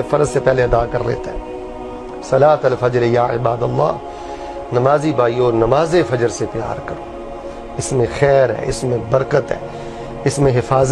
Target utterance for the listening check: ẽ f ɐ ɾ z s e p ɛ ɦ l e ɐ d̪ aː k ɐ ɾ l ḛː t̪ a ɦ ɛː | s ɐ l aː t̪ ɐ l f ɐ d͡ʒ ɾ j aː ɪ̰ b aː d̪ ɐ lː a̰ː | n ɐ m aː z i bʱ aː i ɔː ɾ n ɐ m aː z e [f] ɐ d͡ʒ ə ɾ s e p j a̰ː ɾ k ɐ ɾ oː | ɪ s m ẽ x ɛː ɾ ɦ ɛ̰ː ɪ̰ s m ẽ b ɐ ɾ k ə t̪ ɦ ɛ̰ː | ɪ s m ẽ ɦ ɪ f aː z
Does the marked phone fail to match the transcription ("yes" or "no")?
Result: no